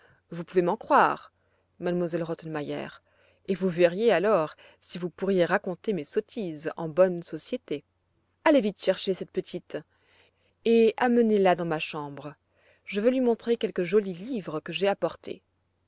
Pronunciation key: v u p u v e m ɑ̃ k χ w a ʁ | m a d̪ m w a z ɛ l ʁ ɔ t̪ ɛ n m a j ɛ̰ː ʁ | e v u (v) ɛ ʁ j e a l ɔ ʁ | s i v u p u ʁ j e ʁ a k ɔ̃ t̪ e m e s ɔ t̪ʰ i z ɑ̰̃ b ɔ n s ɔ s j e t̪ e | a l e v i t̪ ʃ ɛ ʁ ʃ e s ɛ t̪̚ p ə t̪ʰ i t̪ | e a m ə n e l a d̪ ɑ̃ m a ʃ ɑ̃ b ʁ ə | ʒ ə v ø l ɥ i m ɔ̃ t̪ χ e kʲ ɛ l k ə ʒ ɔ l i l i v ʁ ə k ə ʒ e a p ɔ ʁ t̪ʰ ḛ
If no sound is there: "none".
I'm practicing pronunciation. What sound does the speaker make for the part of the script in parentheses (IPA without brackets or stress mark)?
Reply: v